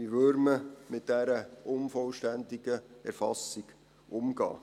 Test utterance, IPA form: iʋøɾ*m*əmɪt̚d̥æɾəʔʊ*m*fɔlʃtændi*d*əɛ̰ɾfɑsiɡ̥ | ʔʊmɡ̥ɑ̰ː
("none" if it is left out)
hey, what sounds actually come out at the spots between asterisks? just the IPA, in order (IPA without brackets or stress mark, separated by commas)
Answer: m, n, ɡ